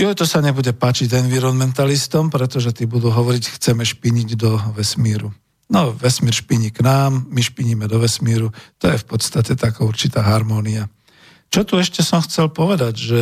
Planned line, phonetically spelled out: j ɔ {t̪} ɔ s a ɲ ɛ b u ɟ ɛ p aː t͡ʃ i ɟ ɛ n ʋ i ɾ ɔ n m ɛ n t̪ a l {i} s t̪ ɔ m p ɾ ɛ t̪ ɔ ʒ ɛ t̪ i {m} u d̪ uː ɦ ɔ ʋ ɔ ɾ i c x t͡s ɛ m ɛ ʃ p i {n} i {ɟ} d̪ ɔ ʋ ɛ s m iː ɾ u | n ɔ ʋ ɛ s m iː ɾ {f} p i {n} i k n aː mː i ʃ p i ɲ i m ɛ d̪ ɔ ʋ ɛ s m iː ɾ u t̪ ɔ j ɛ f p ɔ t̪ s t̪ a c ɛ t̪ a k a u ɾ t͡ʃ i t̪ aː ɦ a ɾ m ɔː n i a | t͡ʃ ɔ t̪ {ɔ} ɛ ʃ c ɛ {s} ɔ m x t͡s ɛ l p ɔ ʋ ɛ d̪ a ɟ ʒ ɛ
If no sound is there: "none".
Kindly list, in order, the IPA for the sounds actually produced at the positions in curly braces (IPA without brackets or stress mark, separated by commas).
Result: t̪, i, b, ɲ, ɟ, ʃ, ɲ, u, s